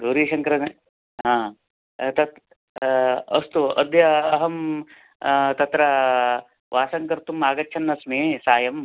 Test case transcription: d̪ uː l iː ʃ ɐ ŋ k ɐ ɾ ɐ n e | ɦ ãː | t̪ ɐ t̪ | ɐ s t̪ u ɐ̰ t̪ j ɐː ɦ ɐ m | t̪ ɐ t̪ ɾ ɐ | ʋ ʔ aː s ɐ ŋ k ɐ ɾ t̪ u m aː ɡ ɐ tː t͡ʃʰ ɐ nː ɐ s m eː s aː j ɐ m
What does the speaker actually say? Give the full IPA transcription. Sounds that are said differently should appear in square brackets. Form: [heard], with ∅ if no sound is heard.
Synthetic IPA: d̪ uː [ɾ] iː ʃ ɐ ŋ k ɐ ɾ ɐ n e | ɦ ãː | t̪ ɐ t̪ | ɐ s t̪ u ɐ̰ [d̪] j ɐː ɦ ɐ m | t̪ ɐ t̪ ɾ ɐ | ʋ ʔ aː s ɐ ŋ k ɐ ɾ t̪ u m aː ɡ ɐ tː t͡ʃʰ ɐ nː ɐ s m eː s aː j ɐ m